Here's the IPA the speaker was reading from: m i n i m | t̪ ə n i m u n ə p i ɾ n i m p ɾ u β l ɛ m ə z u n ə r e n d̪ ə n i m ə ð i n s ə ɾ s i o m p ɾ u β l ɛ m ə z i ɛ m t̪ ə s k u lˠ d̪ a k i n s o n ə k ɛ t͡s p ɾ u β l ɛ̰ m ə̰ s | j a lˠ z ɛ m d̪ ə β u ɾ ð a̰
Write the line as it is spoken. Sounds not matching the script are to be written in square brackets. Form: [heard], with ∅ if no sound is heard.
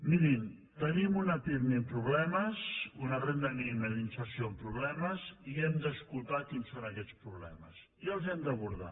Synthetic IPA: m i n i m | t̪ ə n i m u n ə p i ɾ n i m p ɾ u β l ɛ m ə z u n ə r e n d̪ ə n i m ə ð i n s ə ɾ s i o m p ɾ u β l ɛ m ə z i ɛ m [d̪] ə s k u lˠ [t̪] a k i n s o n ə k ɛ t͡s p ɾ u β l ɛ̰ m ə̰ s | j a lˠ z ɛ m d̪ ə β u ɾ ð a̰

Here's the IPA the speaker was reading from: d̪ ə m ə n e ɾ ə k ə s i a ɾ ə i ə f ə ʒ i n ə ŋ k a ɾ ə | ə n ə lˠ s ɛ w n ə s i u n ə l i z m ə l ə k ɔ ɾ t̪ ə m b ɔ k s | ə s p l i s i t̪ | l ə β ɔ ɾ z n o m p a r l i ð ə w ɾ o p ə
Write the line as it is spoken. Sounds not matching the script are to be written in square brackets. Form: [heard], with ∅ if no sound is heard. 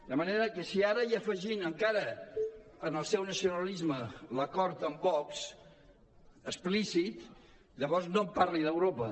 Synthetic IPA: d̪ ə m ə n e ɾ ə k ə s i a ɾ ə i ə f ə ʒ i n ə ŋ k a ɾ ə | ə n ə lˠ s ɛ w n ə s i u n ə l i z m ə l ə k ɔ ɾ t̪ ə m b ɔ k s | ə s p l i s i t̪ | [ʎ] ə β ɔ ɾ z n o m p a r l i ð ə w ɾ o p ə

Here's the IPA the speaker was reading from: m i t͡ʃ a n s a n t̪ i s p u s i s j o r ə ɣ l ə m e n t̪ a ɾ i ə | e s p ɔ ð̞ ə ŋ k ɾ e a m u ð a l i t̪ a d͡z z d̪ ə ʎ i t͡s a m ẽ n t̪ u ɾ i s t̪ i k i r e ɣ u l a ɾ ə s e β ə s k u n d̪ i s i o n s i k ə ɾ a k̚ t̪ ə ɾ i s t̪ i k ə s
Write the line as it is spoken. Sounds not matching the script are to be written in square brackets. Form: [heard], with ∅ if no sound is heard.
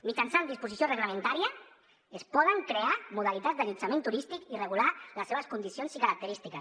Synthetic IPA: m i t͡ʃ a n s a n [d̪] i s p u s i s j o r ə ɣ l ə m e n t̪ a ɾ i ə | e s p ɔ ð̞ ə ŋ k ɾ e a m u ð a l i t̪ a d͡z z d̪ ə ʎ i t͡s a m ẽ n t̪ u ɾ i s t̪ i k i r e ɣ u l a [l] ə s e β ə s k u n d̪ i s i o n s i k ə ɾ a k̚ t̪ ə ɾ i s t̪ i k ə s

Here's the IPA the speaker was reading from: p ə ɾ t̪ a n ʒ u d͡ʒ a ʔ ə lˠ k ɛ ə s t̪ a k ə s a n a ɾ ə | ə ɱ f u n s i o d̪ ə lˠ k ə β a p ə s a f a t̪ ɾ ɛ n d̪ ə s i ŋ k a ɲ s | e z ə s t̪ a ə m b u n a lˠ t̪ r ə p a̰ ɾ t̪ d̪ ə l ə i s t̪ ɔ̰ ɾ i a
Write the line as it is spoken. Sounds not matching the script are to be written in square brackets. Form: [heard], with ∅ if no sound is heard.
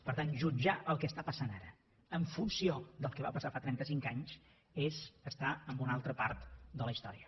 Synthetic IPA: p ə ɾ t̪ a n ʒ u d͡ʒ a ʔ ə lˠ k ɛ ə s t̪ a [p] ə s a n a ɾ ə | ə ɱ f u n s i o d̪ ə lˠ k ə β a p ə s a f a t̪ ɾ ɛ n [t̪] ə s i ŋ k a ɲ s | e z ə s t̪ a ə m b u n a lˠ t̪ [ɾ] ə p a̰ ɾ t̪ d̪ ə l ə i s t̪ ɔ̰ ɾ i [ə]

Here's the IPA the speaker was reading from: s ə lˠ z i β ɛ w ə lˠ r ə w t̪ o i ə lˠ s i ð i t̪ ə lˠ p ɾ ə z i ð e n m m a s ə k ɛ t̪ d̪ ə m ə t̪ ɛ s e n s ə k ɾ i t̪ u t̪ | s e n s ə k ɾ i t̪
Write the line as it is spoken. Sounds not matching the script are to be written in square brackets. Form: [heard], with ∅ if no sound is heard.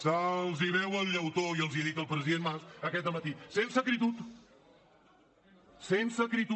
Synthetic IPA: s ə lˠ z i β ɛ w ə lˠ [ʎ] ə w t̪ o i ə lˠ [z] i ð i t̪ ə lˠ p ɾ ə z i ð e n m m a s ə k ɛ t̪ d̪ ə m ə t̪ [i] s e n s ə k ɾ i t̪ u t̪ | s e n s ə k ɾ i t̪

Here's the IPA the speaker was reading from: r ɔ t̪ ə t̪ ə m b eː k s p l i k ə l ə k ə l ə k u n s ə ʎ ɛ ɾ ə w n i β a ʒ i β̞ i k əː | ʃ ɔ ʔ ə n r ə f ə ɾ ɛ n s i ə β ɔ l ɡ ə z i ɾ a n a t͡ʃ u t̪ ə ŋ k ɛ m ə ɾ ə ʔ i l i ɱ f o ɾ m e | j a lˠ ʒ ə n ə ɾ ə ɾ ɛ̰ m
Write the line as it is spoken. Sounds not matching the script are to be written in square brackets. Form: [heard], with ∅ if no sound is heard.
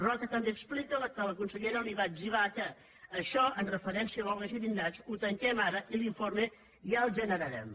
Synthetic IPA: r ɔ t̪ ə t̪ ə m b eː k s p l i k ə l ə k ə l ə k u n s ə ʎ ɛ ɾ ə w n i β a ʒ i β̞ [a] k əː | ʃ ɔ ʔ ə n r ə f ə ɾ ɛ n s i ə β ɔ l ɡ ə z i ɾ [i] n a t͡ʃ u t̪ ə ŋ k ɛ m [a] ɾ ə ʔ i l i ɱ f o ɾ m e | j a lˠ ʒ ə n ə ɾ ə ɾ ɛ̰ m

